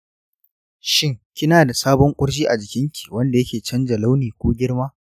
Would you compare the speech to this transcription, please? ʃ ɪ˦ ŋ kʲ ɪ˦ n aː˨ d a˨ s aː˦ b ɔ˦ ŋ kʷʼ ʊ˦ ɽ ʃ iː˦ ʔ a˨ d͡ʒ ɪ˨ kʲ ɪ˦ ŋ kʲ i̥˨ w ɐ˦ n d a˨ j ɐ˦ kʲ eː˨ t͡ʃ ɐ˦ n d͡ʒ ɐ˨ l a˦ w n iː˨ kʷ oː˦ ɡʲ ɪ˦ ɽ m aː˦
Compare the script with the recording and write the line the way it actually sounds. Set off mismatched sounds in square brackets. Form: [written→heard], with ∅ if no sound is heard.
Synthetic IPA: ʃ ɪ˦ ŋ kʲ ɪ˦ n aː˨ d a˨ s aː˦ b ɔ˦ ŋ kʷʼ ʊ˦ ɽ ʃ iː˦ ʔ a˨ d͡ʒ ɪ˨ kʲ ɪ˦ ŋ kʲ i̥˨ w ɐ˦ n d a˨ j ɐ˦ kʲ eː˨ t͡ʃ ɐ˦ n d͡ʒ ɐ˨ l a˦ w n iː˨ kʷ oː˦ ɡʲ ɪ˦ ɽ m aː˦

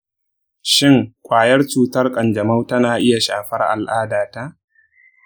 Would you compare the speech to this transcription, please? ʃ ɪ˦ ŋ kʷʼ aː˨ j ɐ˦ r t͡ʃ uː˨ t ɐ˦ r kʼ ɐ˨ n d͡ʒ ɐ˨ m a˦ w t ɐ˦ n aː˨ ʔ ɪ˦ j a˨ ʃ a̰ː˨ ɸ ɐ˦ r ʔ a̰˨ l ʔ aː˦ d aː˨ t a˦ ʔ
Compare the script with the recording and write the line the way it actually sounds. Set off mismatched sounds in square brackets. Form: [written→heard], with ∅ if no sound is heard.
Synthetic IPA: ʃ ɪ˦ ŋ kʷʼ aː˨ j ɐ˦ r t͡ʃ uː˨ t ɐ˦ r kʼ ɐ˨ n d͡ʒ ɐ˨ m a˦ w t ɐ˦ n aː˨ ʔ ɪ˦ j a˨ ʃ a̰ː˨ ɸ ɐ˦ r ʔ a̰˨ l ʔ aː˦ d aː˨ t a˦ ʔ

